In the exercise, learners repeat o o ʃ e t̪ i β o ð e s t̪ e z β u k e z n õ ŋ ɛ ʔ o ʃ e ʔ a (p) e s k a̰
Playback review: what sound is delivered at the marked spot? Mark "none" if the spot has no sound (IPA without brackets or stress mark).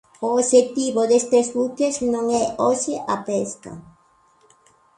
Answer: p